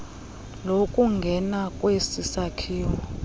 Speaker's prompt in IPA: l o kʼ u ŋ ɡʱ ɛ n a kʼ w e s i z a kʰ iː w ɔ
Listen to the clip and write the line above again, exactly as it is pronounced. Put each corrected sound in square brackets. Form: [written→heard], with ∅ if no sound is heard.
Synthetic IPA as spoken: l o kʼ u ŋ ɡʱ ɛ n a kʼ w e s i [z→s] a kʰ iː w ɔ